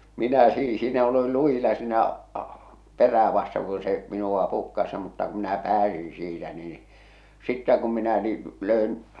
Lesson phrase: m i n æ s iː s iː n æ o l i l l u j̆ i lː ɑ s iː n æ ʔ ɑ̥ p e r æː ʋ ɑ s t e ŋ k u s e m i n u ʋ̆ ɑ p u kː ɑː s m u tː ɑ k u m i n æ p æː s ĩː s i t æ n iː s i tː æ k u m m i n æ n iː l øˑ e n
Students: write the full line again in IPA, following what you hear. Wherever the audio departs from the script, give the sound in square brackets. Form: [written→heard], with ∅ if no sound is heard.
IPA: m i n æ s iː s iː n æ o l i l l u j̆ i [lː→l] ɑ s iː n æ ʔ ɑ̥ p e r æː ʋ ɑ s t e ŋ k u s e m i n u ʋ̆ ɑ p u kː [ɑː→ɑ] s m u tː ɑ k u m i n æ p æː s ĩː s [i→iː] t æ n iː s i tː æ k u m m i n æ n iː l øˑ e n